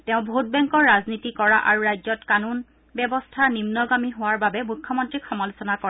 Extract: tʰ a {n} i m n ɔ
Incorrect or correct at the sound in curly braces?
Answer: correct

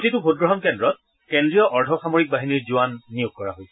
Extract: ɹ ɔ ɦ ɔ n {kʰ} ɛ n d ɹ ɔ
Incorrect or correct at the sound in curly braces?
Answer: incorrect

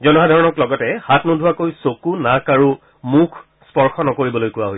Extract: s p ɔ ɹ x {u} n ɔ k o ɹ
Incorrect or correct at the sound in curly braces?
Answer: incorrect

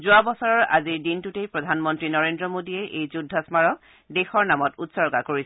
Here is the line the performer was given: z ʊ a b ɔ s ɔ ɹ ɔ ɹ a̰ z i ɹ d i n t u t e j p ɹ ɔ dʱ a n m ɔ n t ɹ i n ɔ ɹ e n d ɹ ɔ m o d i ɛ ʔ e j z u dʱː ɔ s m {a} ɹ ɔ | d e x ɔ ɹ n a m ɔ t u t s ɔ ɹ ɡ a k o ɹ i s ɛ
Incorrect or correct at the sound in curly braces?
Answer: correct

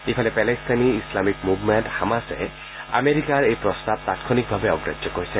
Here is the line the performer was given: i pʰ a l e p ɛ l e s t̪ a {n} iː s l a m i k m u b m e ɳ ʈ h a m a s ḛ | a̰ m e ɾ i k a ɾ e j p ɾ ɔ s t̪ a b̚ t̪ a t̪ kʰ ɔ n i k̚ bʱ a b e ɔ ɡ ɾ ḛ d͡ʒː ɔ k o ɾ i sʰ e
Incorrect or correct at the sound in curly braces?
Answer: correct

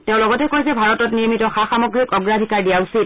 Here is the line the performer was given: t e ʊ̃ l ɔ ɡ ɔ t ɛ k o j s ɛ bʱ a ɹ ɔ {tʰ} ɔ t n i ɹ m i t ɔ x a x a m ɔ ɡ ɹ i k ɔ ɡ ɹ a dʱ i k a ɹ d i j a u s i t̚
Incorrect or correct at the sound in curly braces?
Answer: incorrect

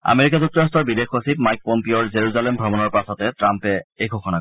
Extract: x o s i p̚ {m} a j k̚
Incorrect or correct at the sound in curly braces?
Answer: correct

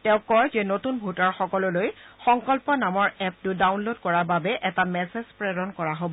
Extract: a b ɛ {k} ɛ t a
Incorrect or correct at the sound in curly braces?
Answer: incorrect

